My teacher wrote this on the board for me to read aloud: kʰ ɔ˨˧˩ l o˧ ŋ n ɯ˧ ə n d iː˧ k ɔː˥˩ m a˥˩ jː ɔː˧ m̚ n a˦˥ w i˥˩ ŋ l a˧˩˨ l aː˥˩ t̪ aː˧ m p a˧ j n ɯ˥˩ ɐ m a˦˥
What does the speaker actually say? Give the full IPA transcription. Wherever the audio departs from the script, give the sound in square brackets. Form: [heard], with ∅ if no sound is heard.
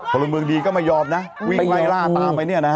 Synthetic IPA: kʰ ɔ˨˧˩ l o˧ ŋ [m] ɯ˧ ə [ŋ] d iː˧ k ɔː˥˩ m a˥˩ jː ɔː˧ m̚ n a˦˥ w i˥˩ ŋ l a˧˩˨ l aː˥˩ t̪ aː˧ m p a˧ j n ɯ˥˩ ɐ [n] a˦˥

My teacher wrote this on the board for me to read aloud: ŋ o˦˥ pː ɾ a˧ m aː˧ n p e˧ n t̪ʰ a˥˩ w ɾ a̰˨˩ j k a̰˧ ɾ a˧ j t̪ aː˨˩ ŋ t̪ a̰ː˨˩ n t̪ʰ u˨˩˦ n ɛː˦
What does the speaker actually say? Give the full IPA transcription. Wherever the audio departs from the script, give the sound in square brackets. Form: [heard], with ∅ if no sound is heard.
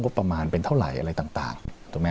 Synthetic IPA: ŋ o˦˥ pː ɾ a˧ m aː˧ n p e˧ n t̪ʰ a˥˩ w ɾ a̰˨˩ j [ʔ] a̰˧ ɾ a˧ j t̪ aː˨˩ ŋ t̪ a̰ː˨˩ [ŋ] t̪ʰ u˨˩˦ [m] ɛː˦

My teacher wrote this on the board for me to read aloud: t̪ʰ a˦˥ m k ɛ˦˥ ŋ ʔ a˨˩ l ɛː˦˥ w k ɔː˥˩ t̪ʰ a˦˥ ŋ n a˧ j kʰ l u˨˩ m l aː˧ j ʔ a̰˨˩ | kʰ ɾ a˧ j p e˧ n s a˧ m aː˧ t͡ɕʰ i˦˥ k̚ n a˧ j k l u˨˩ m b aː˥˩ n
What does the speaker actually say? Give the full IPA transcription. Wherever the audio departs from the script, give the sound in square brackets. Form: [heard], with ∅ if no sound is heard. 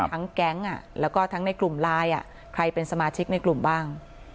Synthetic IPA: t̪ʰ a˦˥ [ŋ] k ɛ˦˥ ŋ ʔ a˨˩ l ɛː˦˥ w k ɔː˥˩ t̪ʰ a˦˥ ŋ n a˧ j [k] l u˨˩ m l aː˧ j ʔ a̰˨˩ | kʰ ɾ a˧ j p e˧ n s a˧ m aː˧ t͡ɕʰ i˦˥ k̚ n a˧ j k l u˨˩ m b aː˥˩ [ŋ]

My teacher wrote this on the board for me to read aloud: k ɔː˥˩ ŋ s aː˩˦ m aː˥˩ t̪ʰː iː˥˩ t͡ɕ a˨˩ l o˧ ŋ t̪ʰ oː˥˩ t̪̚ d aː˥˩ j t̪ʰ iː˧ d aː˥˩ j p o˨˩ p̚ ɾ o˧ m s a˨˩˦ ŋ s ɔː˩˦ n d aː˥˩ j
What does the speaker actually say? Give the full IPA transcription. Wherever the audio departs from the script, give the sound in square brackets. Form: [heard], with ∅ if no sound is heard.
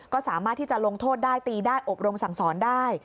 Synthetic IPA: k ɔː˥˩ [∅] s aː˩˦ m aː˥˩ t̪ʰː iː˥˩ t͡ɕ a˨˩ l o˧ ŋ t̪ʰ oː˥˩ t̪̚ d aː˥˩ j [t̪] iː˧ d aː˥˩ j [ʔ] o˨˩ p̚ ɾ o˧ m s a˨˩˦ ŋ s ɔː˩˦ n d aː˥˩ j

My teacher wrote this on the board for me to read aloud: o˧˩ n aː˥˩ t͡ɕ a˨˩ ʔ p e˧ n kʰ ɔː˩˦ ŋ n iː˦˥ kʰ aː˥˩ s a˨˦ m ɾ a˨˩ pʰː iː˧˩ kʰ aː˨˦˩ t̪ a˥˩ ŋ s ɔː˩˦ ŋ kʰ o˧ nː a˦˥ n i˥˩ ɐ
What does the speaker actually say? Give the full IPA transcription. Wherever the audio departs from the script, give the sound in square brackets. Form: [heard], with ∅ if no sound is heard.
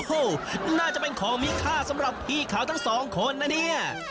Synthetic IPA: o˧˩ n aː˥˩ t͡ɕ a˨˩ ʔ p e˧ n kʰ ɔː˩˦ ŋ [m] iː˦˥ kʰ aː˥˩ s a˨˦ m ɾ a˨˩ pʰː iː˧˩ kʰ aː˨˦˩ [t̪ʰ] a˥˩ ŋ s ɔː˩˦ ŋ kʰ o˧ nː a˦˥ n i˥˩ ɐ

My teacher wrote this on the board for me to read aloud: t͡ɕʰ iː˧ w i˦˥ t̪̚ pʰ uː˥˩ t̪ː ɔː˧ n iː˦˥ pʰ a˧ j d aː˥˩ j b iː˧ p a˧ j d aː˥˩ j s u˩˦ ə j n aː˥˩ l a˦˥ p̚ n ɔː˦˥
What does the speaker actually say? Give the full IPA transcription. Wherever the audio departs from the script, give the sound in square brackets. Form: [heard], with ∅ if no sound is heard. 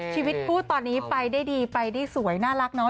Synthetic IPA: t͡ɕʰ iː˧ w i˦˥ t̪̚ pʰ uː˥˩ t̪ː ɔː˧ [nː] iː˦˥ [p] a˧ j d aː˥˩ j [d] iː˧ p a˧ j d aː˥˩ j s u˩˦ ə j n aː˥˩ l a˦˥ [k̚] n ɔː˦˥

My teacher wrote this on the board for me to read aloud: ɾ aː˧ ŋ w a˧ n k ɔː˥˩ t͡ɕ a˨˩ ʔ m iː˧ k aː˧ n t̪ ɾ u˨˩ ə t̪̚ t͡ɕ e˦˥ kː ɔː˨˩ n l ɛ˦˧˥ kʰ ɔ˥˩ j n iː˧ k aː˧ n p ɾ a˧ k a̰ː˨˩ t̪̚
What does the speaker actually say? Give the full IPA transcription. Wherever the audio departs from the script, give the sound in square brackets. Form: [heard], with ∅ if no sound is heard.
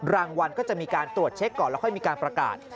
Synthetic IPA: ɾ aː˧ ŋ w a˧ n k ɔː˥˩ t͡ɕ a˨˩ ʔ m iː˧ k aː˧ n t̪ ɾ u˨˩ ə t̪̚ [t͡ɕʰ] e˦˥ kː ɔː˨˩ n l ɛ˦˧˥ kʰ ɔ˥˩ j [m] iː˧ k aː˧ n p ɾ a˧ k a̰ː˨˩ t̪̚

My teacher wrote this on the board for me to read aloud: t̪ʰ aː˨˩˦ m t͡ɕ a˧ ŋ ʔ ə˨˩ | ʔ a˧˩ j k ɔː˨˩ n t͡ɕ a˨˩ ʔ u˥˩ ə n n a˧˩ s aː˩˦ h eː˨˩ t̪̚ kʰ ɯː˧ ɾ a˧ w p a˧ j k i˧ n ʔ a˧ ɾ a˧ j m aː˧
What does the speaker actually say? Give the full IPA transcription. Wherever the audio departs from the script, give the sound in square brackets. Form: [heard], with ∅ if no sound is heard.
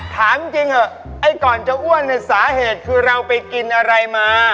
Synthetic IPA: t̪ʰ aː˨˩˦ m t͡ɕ [i˧] ŋ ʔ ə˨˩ | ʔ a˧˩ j k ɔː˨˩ n t͡ɕ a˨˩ ʔ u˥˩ ə n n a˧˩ s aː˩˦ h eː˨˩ t̪̚ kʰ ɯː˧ ɾ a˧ w p a˧ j k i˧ n ʔ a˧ ɾ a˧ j m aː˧

